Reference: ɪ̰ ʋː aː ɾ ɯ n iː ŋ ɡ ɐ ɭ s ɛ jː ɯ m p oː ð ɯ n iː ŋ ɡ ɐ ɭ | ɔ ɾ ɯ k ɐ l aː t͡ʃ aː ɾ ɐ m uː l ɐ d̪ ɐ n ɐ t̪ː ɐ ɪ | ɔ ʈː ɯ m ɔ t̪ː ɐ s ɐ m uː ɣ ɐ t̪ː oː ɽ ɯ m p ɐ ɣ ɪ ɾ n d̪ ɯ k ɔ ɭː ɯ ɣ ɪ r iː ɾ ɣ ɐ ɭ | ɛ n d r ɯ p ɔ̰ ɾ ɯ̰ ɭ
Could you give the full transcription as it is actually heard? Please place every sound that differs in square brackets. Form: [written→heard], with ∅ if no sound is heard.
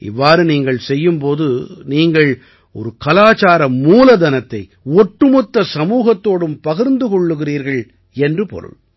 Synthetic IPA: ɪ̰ ʋː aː ɾ ɯ n iː ŋ ɡ ɐ ɭ s ɛ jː ɯ m p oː ð ɯ n iː ŋ ɡ ɐ ɭ | ɔ ɾ ɯ k ɐ l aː t͡ʃ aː ɾ ɐ m uː l ɐ d̪ ɐ n ɐ t̪ː ɐ ɪ | ɔ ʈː ɯ m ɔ t̪ː ɐ s ɐ m uː ɣ ɐ t̪ː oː ɽ ɯ m p ɐ ɣ ɪ ɾ n d̪ ɯ k ɔ ɭː ɯ ɣ ɪ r iː ɾ ɣ ɐ ɭ | ɛ n d r ɯ p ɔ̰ ɾ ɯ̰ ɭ